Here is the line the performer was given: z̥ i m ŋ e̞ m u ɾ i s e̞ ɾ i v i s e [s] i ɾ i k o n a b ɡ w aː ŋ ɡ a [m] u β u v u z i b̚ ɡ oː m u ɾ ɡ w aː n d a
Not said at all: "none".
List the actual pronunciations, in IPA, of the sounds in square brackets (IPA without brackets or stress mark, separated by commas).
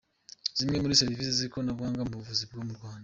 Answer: z, m